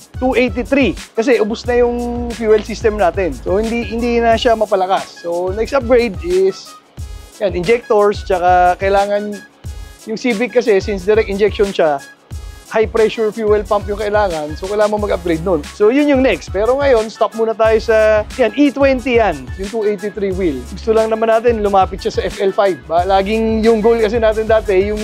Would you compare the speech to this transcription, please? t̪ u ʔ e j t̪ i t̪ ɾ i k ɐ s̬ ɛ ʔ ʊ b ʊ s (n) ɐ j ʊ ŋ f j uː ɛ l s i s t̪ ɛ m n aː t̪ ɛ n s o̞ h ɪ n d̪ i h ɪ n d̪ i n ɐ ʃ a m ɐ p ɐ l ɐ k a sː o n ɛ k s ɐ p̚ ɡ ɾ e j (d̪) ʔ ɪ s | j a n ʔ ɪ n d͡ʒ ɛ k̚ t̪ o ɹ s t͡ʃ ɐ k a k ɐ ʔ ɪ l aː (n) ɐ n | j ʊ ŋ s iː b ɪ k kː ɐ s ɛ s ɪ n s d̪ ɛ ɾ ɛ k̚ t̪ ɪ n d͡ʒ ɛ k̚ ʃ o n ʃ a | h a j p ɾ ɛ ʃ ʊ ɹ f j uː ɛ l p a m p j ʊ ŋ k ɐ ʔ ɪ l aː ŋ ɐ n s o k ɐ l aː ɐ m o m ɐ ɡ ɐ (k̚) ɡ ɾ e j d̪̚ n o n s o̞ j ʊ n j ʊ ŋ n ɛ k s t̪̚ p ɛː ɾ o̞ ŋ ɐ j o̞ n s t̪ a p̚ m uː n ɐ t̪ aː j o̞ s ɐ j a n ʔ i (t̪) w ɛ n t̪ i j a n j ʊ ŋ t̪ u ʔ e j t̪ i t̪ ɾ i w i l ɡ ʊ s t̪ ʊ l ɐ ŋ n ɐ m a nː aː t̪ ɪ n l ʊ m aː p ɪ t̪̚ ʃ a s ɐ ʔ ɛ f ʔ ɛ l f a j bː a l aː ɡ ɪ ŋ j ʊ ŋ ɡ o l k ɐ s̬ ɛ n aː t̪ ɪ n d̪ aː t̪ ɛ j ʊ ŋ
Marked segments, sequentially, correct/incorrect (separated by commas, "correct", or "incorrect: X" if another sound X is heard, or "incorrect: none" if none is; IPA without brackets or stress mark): correct, correct, incorrect: ŋ, incorrect: p̚, correct